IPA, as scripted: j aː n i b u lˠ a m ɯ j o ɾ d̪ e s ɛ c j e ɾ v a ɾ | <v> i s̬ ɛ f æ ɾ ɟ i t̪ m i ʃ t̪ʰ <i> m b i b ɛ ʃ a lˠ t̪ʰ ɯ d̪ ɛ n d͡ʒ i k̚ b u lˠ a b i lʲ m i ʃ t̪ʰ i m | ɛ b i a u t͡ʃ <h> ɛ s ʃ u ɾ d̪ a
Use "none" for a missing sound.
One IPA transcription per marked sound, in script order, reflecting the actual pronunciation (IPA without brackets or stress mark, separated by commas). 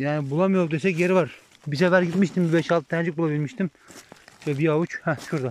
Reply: b, i, h